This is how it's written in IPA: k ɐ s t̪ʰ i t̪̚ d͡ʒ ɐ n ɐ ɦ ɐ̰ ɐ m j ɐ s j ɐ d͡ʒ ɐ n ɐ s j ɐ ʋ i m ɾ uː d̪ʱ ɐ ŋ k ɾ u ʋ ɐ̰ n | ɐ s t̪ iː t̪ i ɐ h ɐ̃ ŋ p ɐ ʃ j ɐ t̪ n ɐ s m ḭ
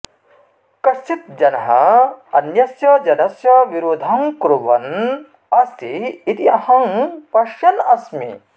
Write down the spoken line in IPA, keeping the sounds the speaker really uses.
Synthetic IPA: k ɐ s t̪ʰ i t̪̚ d͡ʒ ɐ n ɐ ɦ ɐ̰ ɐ n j ɐ s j ɐ d͡ʒ ɐ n ɐ s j ɐ ʋ i ɾ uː d̪ʱ ɐ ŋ k ɾ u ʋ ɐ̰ n | ɐ s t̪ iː t̪ i ɐ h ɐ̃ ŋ p ɐ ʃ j ɐ n ɐ s m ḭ